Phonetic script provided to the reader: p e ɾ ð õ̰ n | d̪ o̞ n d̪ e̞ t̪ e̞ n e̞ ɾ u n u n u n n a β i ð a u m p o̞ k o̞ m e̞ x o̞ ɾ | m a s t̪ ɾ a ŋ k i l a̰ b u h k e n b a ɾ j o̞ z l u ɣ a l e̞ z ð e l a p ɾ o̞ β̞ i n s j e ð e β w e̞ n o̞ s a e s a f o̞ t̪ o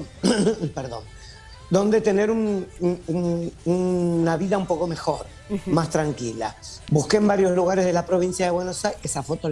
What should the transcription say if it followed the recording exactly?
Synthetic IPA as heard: p e ɾ ð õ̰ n | d̪ o̞ n d̪ e̞ t̪ e̞ n e̞ ɾ u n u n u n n a β i ð a u m p o̞ k o̞ m e̞ x o̞ ɾ | m a s t̪ ɾ a ŋ k i l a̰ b u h k e m b a ɾ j o̞ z l u ɣ a ɾ e̞ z ð e l a p ɾ o̞ β̞ i n s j a ð e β w e̞ n o̞ s a e s a f o̞ t̪ o